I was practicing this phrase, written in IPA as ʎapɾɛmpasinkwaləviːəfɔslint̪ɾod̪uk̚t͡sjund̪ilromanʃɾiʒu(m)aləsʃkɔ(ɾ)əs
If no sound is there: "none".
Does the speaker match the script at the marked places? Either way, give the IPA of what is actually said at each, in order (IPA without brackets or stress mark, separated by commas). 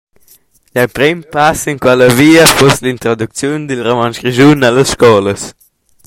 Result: n, l